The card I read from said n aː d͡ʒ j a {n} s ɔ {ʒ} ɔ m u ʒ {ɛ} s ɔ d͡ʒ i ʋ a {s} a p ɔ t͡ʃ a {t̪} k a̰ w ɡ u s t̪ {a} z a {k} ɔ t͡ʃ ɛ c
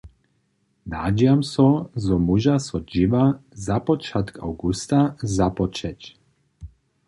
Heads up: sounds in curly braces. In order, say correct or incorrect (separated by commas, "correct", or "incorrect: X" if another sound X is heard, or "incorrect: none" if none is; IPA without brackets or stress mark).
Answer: incorrect: m, incorrect: z, incorrect: a, incorrect: z, correct, correct, incorrect: p